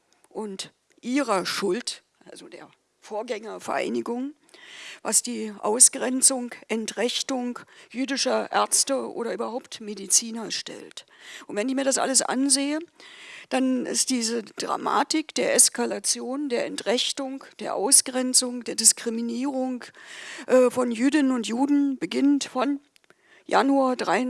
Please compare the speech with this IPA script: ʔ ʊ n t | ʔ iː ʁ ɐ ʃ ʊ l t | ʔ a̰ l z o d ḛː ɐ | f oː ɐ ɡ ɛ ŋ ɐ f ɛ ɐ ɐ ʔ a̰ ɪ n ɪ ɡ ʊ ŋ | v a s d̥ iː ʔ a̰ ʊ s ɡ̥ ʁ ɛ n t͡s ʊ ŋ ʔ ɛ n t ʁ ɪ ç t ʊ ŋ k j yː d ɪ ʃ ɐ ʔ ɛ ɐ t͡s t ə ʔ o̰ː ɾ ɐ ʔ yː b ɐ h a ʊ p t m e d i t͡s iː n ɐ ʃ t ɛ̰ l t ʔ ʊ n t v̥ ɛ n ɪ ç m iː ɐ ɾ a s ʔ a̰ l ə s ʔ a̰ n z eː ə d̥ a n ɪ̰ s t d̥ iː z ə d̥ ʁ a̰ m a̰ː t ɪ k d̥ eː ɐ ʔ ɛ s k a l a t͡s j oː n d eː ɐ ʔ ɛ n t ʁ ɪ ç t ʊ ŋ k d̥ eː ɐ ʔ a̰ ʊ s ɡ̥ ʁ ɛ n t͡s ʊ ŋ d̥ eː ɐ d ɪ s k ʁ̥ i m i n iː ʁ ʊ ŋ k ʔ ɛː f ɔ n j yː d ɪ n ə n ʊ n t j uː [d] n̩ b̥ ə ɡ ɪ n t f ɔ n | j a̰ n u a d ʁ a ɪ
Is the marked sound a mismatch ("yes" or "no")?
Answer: no